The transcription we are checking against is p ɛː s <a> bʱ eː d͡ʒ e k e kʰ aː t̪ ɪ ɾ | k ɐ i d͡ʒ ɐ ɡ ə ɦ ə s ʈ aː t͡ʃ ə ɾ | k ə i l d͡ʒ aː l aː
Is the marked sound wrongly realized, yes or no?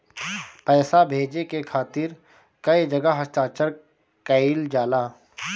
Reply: no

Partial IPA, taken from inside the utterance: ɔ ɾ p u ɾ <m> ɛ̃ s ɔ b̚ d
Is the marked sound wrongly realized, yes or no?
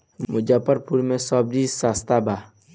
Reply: no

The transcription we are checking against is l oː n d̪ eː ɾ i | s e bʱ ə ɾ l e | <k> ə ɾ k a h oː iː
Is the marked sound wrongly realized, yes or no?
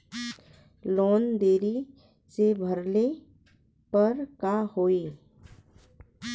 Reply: yes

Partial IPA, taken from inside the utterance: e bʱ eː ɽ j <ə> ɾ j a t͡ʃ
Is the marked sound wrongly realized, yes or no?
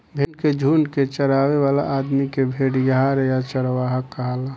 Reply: yes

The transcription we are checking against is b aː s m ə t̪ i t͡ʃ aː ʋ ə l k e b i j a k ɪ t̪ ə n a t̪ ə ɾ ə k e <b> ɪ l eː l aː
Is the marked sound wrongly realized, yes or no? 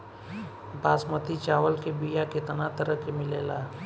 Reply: yes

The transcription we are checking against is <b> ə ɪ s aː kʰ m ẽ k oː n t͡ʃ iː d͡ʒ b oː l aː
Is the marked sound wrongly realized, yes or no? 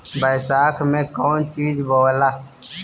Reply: no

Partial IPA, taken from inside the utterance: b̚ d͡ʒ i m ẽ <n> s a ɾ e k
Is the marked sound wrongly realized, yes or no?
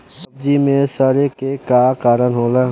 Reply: yes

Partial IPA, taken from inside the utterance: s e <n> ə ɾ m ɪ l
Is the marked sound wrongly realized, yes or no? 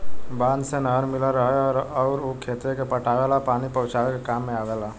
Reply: no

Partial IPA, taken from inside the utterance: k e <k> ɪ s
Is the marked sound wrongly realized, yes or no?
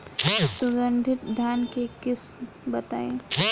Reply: no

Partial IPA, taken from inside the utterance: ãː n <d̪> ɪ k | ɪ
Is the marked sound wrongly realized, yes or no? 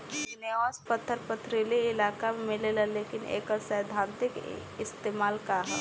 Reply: yes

